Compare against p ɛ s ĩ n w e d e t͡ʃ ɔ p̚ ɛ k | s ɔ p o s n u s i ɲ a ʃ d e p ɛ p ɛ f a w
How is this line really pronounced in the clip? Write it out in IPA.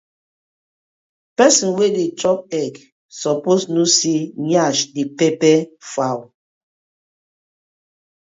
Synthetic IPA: p ɛ s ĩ n w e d e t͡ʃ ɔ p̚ ɛ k | s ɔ p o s n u s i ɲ a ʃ d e p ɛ p ɛ f a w